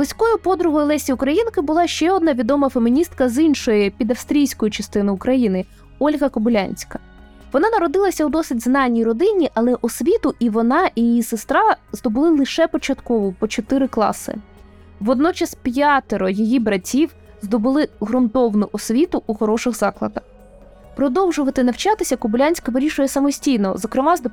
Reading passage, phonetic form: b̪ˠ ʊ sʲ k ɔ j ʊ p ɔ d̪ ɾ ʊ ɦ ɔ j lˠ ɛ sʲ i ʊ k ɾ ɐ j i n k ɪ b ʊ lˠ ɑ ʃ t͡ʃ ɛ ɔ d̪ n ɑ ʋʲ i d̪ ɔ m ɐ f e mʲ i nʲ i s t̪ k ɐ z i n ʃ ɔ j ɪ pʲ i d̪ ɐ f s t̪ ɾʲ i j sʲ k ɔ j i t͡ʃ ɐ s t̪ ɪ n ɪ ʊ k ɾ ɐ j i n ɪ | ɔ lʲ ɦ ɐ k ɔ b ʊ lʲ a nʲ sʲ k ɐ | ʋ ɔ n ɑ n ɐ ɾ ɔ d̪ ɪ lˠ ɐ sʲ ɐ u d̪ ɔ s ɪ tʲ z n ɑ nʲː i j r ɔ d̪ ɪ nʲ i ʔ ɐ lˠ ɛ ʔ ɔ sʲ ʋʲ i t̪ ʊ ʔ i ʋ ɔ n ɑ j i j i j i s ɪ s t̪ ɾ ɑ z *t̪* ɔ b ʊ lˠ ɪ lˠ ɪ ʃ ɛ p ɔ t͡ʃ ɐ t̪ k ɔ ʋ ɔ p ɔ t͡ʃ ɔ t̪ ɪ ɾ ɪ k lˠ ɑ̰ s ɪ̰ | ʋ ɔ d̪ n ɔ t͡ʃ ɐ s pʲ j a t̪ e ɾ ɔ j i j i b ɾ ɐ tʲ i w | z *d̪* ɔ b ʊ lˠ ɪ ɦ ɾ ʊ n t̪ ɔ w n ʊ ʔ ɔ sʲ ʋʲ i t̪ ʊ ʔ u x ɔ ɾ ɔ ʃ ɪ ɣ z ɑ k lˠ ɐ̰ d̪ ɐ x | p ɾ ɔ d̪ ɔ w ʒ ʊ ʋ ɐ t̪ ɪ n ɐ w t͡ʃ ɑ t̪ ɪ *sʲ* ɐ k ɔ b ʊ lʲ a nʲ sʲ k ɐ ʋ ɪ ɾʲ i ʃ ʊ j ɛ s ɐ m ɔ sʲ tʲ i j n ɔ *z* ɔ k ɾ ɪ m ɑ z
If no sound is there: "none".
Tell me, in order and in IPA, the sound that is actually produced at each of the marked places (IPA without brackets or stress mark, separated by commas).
d̪, d̪, sʲ, z